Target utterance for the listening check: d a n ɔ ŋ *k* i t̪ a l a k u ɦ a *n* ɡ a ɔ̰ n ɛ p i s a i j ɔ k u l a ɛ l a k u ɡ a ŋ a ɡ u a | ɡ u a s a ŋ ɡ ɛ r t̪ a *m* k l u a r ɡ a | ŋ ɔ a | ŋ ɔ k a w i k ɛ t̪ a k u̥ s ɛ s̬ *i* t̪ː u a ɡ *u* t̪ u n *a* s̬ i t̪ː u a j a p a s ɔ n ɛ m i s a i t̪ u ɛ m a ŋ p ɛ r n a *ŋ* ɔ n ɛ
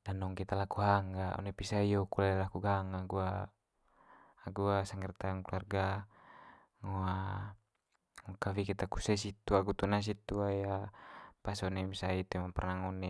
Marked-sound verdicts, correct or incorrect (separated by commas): correct, incorrect, incorrect, correct, correct, correct, correct